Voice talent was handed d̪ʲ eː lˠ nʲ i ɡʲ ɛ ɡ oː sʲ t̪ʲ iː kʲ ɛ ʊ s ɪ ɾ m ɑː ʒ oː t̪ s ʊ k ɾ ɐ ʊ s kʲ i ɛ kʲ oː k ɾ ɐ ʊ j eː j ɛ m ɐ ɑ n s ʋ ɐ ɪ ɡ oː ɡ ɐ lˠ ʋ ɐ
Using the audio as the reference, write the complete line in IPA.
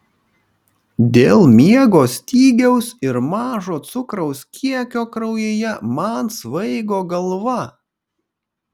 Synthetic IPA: d̪ʲ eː lˠ mʲ i ɛ ɡ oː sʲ t̪ʲ iː ɡʲ ɛ ʊ s ɪ ɾ m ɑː ʒ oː t̪ s ʊ k ɾ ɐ ʊ s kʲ i ɛ kʲ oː k ɾ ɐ ʊ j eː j ɛ m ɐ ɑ n s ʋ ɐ ɪ ɡ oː ɡ ɐ lˠ ʋ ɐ